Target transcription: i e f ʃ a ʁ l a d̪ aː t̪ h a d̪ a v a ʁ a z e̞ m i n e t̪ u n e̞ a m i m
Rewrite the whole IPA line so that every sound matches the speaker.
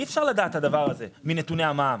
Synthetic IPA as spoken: i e f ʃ a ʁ l a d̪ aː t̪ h a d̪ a v a ʁ a z e̞ m i n e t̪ u n e̞ a m a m